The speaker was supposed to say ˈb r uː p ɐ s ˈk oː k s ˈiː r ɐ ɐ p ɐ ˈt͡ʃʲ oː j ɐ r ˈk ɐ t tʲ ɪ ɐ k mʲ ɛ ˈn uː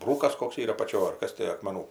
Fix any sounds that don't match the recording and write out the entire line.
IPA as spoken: ˈb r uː k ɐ s ˈk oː k s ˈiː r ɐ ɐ p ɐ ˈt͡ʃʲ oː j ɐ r ˈk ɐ s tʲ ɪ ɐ k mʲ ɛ ˈn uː